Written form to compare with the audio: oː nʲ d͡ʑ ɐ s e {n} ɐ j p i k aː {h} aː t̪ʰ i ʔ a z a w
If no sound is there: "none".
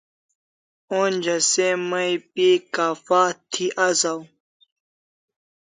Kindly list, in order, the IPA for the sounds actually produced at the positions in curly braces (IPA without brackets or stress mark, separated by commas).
m, f